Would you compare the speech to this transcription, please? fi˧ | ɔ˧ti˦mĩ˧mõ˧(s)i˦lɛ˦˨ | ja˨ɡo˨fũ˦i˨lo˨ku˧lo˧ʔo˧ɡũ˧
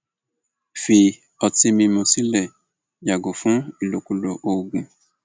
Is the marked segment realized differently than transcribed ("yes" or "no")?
no